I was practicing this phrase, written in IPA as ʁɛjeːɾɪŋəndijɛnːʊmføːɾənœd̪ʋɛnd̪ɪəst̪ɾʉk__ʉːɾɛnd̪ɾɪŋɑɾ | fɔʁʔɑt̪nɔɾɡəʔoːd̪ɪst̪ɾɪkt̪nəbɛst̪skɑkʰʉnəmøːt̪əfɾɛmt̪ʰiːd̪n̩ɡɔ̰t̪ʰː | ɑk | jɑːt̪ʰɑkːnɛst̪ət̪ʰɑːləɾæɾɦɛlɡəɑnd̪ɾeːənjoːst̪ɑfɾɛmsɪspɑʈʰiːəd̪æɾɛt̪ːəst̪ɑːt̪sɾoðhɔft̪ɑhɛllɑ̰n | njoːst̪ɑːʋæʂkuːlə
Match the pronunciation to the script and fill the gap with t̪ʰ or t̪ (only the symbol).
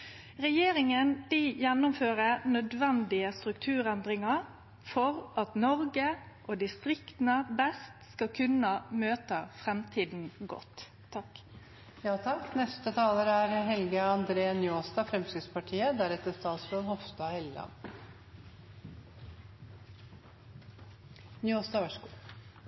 t̪ʰ